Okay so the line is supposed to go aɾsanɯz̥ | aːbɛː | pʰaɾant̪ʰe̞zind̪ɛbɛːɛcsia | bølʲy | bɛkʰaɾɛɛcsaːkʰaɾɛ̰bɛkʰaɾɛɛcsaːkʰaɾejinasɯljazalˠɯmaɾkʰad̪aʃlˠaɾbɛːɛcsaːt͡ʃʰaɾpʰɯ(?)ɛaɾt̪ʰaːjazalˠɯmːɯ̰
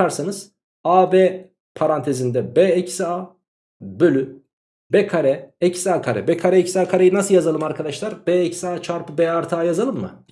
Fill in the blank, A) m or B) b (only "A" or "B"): B